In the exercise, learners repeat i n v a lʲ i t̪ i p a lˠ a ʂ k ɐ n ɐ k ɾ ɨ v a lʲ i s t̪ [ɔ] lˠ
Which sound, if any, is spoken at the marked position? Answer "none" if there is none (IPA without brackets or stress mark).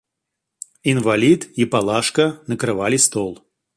ɔ